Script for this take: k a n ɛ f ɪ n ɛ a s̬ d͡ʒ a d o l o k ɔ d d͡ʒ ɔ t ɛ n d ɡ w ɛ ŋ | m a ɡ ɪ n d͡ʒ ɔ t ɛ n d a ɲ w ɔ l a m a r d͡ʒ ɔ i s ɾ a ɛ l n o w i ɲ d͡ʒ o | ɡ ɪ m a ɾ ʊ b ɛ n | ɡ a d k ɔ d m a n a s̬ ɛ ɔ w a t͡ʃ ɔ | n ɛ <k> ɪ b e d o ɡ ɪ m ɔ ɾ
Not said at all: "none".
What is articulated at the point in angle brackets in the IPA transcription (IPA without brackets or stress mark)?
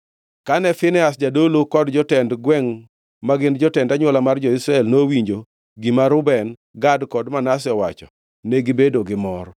ɡ